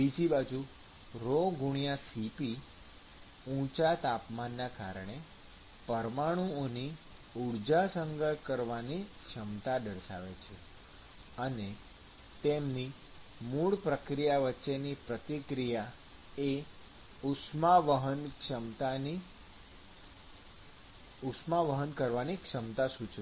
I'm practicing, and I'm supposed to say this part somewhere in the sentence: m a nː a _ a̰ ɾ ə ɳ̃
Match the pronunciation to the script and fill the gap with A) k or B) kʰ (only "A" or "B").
A